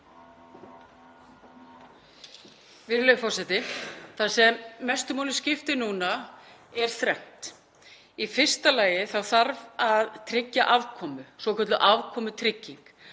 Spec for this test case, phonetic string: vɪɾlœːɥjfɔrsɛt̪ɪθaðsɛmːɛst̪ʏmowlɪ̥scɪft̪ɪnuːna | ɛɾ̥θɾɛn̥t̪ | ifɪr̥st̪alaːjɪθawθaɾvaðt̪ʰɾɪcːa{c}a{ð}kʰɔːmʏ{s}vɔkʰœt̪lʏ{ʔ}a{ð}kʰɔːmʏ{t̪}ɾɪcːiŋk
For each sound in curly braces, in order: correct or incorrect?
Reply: incorrect: ʔ, incorrect: v, correct, correct, incorrect: v, incorrect: t̪ʰ

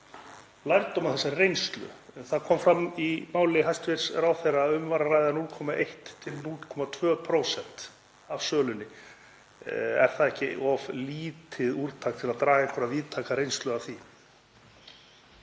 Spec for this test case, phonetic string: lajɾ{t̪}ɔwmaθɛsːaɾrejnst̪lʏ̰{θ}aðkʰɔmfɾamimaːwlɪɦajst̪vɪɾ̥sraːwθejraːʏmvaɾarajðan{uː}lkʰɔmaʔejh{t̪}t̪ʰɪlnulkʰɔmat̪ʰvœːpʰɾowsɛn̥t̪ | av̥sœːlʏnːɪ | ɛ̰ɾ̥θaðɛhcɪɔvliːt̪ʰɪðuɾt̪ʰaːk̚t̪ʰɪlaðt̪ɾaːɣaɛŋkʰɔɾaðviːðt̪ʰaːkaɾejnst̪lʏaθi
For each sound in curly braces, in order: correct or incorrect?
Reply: correct, correct, incorrect: u, correct

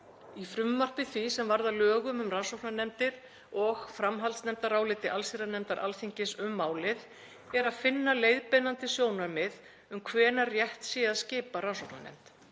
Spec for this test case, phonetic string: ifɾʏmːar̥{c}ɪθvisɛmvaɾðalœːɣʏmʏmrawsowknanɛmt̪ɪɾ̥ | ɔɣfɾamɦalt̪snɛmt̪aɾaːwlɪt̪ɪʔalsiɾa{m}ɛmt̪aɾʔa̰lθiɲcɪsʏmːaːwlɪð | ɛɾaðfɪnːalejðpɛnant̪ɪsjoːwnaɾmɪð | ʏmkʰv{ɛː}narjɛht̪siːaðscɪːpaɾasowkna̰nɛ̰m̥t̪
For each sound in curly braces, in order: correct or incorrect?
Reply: incorrect: p, incorrect: n, correct

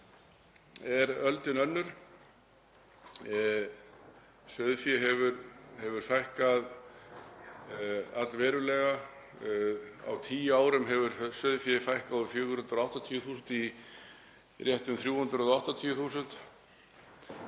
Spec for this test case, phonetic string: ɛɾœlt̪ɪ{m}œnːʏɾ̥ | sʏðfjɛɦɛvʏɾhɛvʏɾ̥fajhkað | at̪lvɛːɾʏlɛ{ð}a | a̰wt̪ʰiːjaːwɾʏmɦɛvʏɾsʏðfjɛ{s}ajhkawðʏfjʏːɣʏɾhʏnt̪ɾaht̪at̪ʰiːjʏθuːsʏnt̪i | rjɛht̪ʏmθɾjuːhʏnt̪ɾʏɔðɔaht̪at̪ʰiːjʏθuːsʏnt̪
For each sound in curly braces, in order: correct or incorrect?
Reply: incorrect: n, incorrect: ɣ, incorrect: f

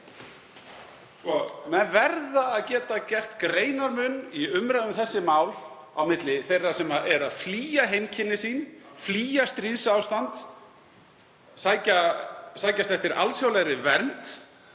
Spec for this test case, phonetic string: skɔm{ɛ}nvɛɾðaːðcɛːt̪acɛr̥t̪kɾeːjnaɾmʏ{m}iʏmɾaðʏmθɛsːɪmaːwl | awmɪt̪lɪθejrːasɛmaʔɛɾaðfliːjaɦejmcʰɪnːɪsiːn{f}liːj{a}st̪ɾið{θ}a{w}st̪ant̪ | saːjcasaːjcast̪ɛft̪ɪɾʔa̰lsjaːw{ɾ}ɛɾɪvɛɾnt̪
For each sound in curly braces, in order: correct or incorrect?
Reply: correct, incorrect: n, correct, correct, incorrect: s, correct, incorrect: l

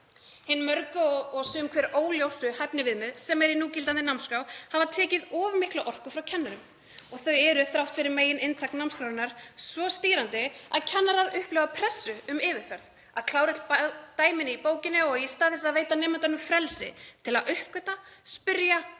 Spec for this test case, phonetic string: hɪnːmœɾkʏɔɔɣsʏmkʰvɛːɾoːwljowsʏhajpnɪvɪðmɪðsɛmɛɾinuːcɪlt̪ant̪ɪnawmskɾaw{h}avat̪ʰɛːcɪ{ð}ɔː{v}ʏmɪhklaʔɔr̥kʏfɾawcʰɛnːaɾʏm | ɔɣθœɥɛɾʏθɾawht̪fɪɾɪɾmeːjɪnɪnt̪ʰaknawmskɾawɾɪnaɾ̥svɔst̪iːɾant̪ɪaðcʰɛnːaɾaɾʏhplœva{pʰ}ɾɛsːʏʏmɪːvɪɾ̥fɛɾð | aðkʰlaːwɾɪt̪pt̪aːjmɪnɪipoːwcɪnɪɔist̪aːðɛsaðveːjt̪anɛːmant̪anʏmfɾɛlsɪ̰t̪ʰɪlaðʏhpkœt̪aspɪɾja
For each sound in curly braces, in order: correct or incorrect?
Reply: correct, correct, correct, correct

